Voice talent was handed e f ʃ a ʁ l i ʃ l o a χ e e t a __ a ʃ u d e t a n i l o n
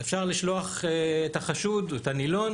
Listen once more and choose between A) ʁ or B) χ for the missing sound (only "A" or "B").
B